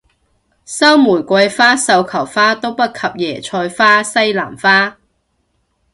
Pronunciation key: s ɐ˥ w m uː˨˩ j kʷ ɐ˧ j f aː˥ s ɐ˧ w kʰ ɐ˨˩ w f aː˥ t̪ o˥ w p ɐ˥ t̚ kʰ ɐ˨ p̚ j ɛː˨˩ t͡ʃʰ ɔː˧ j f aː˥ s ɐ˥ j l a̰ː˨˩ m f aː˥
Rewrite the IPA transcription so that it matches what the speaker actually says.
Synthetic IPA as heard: s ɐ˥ w m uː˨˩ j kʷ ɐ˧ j f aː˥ s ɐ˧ w kʰ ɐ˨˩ w f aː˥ t̪ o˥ w p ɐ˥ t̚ kʰ ɐ˨ p̚ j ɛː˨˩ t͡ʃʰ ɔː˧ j f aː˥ s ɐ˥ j l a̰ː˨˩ m f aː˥

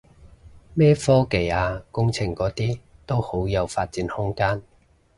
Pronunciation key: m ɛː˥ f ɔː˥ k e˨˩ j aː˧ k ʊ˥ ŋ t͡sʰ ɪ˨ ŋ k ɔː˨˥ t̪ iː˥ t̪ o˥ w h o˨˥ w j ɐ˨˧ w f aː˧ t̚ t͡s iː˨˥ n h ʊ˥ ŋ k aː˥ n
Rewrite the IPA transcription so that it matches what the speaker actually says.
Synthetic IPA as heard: m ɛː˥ f ɔː˥ k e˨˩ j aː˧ k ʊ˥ ŋ t͡sʰ ɪ˨ ŋ k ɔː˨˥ t̪ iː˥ t̪ o˥ w h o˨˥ w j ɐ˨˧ w f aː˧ t̚ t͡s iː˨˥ n h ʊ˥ ŋ k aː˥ n

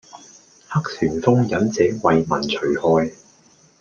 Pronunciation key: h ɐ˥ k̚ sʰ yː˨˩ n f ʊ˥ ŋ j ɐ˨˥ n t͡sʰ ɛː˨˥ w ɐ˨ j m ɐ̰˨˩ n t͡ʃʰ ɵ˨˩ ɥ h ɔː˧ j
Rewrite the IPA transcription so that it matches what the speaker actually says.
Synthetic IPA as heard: h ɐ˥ k̚ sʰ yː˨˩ n f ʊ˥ ŋ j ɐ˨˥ n t͡s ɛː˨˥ w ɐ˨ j m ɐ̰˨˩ n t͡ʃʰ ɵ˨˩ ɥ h ɔː˧ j

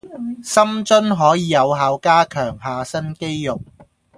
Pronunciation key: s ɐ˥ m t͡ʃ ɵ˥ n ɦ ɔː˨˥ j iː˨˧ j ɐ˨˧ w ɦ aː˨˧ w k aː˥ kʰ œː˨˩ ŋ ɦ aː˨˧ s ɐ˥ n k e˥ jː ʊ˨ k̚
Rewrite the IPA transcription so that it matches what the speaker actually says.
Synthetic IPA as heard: s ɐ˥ m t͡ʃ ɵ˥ n ɦ ɔː˨˥ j iː˨˧ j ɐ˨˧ w ɦ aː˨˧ w k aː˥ kʰ œː˨˩ ŋ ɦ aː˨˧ s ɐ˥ n k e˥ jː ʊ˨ k̚

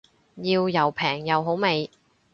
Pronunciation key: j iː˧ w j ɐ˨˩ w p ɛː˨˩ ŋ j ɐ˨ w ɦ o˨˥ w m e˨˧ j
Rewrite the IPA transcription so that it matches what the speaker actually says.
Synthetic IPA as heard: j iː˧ w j ɐ˨˩ w pʰ ɛː˨˩ ŋ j ɐ˨ w ɦ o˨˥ w m e˨˧ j

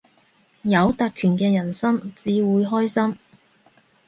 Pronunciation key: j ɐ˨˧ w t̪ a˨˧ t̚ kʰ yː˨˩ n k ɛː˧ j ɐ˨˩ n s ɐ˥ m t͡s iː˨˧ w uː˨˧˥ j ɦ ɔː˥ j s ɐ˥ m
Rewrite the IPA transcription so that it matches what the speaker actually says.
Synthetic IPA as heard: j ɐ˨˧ w t̪ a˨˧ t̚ kʰ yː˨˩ n k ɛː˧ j ɐ˨˩ n s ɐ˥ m t͡s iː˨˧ w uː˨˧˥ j ɦ ɔː˥ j s ɐ˥ m

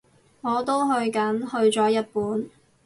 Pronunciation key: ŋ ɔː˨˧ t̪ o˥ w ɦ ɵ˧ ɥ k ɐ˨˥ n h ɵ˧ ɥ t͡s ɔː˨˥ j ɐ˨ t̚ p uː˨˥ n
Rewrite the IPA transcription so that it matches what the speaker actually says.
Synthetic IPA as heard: ŋ ɔː˨˧ t̪ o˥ w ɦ ɵ˧ ɥ k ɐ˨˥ n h ɵ˧ ɥ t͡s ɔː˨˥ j ɐ˥ t̚ p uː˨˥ n

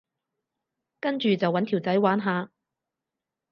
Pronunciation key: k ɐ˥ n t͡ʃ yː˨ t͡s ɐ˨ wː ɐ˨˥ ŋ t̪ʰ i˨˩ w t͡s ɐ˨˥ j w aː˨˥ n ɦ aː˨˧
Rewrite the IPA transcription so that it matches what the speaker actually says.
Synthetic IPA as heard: k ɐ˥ n t͡ʃ yː˨ t͡s ɐ˨ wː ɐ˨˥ n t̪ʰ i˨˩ w t͡s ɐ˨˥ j w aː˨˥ n ɦ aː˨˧

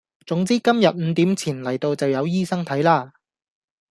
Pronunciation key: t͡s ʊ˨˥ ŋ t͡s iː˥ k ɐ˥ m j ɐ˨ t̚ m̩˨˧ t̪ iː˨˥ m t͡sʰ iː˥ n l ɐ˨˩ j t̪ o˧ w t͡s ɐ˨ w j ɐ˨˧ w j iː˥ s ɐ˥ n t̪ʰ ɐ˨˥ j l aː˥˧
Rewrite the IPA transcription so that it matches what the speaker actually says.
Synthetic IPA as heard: t͡s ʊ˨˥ ŋ t͡s iː˥ k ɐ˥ m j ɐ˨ t̚ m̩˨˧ t̪ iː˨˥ m t͡sʰ iː˨˩ n l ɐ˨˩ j t̪ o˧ w t͡s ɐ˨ w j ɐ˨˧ w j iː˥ s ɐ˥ ŋ t̪ʰ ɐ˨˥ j l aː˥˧

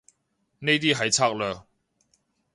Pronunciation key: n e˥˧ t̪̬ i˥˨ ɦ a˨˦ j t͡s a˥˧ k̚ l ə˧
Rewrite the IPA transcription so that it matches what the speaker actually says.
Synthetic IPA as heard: n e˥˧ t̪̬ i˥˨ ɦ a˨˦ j t͡sʰ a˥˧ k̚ l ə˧

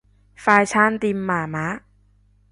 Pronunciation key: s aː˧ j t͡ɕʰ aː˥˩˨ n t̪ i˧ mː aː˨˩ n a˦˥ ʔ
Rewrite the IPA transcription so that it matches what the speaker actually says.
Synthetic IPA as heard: f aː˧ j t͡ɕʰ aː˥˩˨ n t̪ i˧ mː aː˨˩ m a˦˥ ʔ

